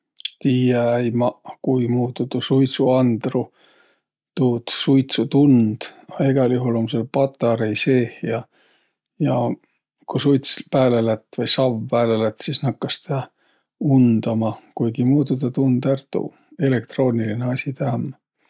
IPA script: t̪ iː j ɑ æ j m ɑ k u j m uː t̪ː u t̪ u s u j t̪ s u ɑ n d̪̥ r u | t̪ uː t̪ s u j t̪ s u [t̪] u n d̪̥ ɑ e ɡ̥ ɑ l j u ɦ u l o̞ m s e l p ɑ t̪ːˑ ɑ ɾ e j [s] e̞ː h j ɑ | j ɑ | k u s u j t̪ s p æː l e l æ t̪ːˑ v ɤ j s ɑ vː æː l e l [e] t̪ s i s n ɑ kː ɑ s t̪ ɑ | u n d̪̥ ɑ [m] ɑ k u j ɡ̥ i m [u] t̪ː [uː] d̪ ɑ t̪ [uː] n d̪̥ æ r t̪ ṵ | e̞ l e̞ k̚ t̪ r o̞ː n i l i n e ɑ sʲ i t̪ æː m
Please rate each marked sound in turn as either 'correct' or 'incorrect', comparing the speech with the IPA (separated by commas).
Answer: correct, correct, incorrect, correct, incorrect, incorrect, incorrect